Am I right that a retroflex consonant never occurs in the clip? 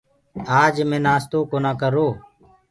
yes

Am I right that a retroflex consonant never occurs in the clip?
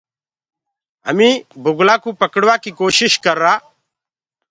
no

